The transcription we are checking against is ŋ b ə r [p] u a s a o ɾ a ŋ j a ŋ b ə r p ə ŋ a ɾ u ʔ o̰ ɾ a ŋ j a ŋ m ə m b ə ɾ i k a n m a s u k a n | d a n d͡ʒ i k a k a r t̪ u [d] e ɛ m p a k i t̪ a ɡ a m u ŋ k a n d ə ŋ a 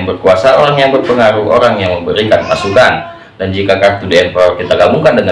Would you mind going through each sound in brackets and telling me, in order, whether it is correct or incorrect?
incorrect: k, correct

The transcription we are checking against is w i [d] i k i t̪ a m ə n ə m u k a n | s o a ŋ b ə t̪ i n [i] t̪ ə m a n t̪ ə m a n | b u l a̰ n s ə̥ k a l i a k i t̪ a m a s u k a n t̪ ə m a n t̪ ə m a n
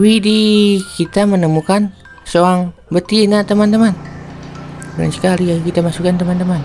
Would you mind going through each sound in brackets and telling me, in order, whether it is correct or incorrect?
correct, incorrect: a

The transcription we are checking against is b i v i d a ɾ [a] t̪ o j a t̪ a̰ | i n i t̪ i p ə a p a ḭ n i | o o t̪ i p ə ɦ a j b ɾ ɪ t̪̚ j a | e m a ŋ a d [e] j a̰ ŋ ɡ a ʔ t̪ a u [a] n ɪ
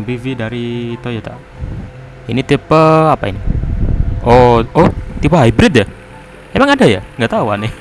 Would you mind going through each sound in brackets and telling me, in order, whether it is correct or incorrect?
incorrect: i, incorrect: a, correct

